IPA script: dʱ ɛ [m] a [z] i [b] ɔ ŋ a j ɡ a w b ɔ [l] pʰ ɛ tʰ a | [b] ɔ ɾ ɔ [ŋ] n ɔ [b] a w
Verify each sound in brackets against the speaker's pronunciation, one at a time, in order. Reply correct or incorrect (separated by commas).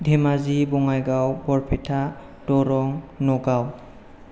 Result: correct, correct, correct, incorrect, incorrect, correct, incorrect